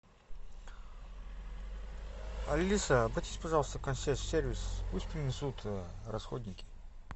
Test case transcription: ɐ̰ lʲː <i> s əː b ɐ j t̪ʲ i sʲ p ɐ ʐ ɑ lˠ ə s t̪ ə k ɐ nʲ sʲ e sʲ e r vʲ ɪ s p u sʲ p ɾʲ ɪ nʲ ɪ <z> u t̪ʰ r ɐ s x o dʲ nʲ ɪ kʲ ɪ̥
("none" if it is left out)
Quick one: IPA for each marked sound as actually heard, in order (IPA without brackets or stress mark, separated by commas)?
i, s